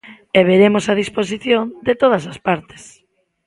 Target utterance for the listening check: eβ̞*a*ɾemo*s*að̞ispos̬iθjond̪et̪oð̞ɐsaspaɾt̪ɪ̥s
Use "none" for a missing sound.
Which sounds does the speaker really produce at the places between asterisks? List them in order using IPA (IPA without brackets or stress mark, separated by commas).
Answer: e, s